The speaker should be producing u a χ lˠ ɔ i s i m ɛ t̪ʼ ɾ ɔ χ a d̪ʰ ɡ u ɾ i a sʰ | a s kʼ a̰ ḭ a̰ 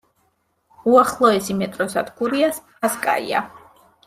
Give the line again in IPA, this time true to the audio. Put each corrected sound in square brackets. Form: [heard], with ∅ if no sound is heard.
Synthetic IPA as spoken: u a χ lˠ ɔ [ɛ] s i m ɛ t̪ʼ ɾ ɔ [s] a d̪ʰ ɡ u ɾ i a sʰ | a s kʼ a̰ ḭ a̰

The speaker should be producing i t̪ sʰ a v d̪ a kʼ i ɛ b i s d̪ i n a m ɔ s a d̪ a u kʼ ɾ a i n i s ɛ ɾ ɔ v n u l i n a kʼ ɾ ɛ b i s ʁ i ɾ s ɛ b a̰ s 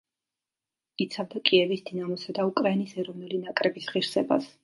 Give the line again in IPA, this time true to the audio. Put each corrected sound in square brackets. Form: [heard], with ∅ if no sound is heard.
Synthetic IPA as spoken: i t̪ sʰ a v d̪ a kʼ i ɛ [v] i s d̪ i n a m ɔ s a d̪ a u kʼ ɾ a i n i s ɛ ɾ ɔ v n u l i n a kʼ ɾ ɛ b i s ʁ i ɾ s ɛ b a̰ s

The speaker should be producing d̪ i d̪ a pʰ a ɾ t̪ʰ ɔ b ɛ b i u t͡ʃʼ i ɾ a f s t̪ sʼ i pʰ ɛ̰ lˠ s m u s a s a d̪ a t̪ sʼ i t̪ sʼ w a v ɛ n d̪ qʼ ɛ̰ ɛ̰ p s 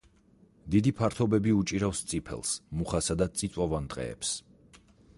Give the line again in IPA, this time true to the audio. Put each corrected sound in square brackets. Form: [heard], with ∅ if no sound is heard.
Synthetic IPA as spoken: d̪ i d̪ [i] pʰ a ɾ t̪ʰ ɔ b ɛ b i u t͡ʃʼ i ɾ a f s t̪ sʼ i pʰ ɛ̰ lˠ s m u [χ] a s a d̪ a t̪ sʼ i t̪ sʼ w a v [a] n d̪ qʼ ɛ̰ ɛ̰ p s

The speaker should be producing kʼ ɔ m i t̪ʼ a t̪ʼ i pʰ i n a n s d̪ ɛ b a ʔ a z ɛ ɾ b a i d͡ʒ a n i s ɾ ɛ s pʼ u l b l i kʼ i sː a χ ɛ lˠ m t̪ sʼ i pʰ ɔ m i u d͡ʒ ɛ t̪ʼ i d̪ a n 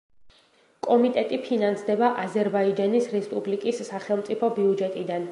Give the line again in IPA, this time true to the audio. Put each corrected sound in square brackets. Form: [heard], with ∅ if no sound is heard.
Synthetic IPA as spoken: kʼ ɔ m i t̪ʼ [ɛ] t̪ʼ i pʰ i n a n s d̪ ɛ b a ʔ a z ɛ ɾ b a i d͡ʒ a n i s ɾ ɛ s pʼ u [∅] b l i kʼ i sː a χ ɛ lˠ m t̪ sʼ i pʰ ɔ [b] i u d͡ʒ ɛ t̪ʼ i d̪ a n

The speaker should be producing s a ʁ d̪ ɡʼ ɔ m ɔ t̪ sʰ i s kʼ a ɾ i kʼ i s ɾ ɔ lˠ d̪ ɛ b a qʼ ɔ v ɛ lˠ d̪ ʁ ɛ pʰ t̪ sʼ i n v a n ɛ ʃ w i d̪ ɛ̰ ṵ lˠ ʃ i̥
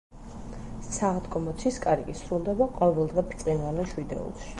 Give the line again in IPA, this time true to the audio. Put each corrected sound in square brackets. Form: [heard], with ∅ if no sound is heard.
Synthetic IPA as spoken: s a ʁ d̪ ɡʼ ɔ m ɔ t̪ sʰ i s kʼ a ɾ i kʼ i s ɾ [u] lˠ d̪ ɛ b a qʼ ɔ v ɛ lˠ d̪ ʁ ɛ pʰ t̪ sʼ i n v a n ɛ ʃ w i d̪ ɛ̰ ṵ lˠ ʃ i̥

